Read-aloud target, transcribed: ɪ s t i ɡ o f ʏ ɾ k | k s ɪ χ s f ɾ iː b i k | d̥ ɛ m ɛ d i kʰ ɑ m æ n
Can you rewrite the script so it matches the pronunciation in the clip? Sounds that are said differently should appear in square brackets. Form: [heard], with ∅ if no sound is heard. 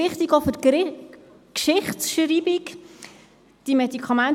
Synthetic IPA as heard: ɪ [χ] t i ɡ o f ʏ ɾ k | k [ʃ] ɪ χ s [ʃ] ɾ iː b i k | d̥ [i] m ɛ d i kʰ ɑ m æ n